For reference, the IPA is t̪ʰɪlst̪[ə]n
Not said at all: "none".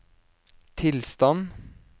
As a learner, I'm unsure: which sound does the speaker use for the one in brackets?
ɑ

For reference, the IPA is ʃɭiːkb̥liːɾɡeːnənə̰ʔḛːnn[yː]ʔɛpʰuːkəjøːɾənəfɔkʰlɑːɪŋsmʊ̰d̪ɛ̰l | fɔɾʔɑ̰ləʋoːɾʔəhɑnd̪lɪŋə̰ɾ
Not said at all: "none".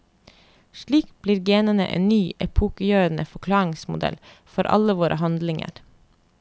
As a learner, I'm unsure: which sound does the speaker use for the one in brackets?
yː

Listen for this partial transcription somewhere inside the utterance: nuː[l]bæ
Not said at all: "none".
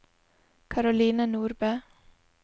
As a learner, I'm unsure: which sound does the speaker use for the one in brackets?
ɾ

